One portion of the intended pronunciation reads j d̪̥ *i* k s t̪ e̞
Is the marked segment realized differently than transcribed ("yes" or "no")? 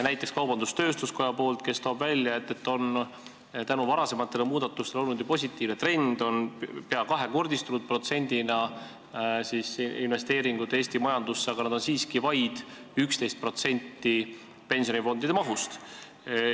yes